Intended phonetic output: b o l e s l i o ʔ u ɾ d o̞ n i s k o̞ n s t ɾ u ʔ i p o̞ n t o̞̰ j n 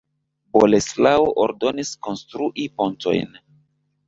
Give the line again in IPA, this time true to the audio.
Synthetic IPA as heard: b o l e s l a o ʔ o ɾ d o̞ n i s k o̞ n s t ɾ u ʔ i p o̞ n t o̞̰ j n

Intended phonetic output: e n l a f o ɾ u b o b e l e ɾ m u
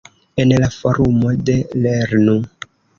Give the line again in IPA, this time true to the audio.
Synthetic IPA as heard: e n l a f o ɾ u m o d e l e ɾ n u

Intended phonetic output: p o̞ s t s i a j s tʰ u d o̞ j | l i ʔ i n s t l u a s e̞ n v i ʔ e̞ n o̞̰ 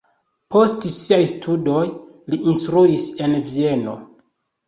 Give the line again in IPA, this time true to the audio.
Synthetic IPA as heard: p o̞ s t s i a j s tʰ u d o̞ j | l i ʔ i n s t ɾ u i s e̞ n v i e̞ n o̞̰

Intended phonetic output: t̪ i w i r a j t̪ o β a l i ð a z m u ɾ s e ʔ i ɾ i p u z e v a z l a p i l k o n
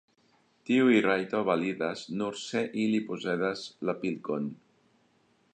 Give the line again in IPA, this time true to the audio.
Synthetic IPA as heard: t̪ i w i r a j t̪ o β a l i ð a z n u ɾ s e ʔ i l i p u z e ð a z l a p i l k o n

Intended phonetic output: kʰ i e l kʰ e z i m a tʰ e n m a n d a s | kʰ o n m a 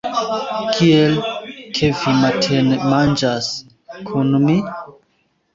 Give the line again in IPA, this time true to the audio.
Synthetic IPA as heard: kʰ i e l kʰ e v i m a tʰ e n m a n d͡ʒ a s | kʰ u n m i

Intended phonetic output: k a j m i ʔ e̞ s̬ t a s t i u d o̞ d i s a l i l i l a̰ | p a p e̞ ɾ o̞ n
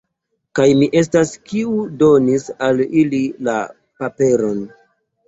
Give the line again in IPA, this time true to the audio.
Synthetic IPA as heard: k a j m i ʔ e̞ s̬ t a s k i u d o̞ n i s a l i l i l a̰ | p a p e̞ ɾ o̞ n

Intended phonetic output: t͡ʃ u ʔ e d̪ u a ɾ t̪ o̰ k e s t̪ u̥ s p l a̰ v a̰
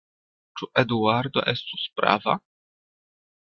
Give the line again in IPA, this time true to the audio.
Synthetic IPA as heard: t͡ʃ u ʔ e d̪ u a ɾ d̪ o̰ ʔ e s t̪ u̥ s p ɾ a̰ v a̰

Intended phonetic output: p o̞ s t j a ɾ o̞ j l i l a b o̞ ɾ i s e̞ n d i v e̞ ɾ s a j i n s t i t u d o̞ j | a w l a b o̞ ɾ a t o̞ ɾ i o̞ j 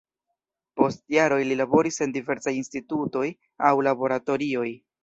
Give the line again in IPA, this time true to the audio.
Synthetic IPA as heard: p o̞ s t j a ɾ o̞ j l i l a b o̞ ɾ i s e̞ n d i v e̞ ɾ s a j i n s t i t u t o̞ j | a w l a b o̞ ɾ a t o̞ ɾ i o̞ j

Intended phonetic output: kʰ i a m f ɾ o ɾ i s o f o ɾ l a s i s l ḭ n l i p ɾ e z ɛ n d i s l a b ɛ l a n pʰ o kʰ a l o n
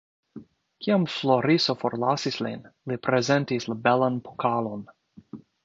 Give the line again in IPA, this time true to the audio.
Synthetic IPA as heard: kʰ i a m f l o ɾ i s o f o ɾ l a s i s l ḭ n l i p ɾ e z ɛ n t i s l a b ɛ l a n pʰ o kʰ a l o n

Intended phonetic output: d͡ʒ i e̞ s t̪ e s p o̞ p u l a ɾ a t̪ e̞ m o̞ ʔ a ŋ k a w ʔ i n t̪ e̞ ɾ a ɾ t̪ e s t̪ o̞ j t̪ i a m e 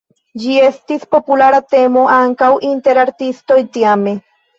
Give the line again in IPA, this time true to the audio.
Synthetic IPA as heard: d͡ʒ i e̞ s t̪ i s p o̞ p u l a ɾ a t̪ e̞ m o̞ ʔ a ŋ k a w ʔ i n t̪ e̞ ɾ a ɾ t̪ i s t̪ o̞ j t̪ i a m e

